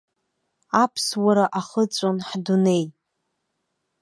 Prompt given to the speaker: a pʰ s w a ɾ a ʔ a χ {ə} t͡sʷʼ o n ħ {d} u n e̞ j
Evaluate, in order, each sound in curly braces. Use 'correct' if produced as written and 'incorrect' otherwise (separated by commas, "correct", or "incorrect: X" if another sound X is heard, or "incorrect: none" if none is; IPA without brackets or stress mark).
correct, correct